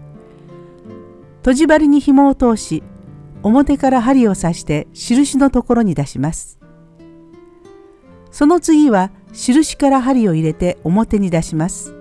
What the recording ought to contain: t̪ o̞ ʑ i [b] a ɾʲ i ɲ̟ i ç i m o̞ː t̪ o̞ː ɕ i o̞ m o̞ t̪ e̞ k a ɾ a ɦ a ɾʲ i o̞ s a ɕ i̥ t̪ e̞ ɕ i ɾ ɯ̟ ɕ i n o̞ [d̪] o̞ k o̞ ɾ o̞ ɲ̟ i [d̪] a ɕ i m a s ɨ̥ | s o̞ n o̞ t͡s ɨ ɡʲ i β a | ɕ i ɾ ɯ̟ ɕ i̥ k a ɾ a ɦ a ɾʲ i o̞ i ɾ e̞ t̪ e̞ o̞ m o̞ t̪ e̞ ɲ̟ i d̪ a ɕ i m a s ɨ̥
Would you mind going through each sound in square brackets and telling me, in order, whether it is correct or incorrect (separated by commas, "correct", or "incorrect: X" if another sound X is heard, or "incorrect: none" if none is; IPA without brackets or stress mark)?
correct, incorrect: t̪, correct